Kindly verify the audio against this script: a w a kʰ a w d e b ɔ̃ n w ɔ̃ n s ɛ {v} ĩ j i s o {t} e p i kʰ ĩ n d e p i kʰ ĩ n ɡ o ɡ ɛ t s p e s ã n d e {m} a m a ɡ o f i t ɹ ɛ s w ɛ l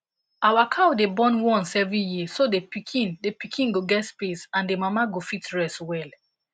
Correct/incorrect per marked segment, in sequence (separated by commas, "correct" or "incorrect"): correct, incorrect, correct